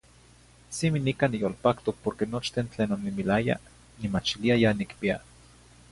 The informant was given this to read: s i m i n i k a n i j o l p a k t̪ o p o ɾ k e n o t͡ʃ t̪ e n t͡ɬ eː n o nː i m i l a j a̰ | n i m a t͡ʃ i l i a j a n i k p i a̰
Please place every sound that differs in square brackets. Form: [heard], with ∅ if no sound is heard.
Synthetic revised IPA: s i m i n i k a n i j o l p a k t̪ o p o ɾ k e n o t͡ʃ t̪ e n t͡ɬ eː n o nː i m i l a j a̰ | n i m a t͡ʃ i l i a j a n i k p i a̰